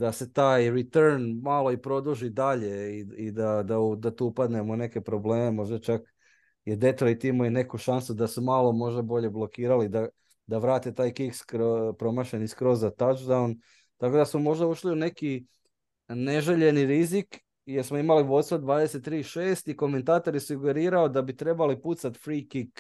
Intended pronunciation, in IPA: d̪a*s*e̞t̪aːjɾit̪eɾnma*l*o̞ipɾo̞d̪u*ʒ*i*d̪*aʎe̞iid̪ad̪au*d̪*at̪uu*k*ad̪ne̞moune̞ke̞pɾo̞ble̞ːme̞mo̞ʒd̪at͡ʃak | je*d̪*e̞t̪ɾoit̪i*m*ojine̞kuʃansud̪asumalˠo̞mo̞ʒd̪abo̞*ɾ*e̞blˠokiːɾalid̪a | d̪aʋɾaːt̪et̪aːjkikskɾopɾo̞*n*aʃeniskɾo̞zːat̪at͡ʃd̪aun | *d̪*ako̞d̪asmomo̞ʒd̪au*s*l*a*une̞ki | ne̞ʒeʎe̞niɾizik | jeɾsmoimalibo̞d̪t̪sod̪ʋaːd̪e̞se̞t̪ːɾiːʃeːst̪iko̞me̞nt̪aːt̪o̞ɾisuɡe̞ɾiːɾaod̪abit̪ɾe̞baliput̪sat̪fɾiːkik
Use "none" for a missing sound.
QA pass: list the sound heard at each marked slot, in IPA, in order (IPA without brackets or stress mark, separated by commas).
s, l, ʒ, d̪, d̪, p, d̪, m, ʎ, m, t̪, ʃ, i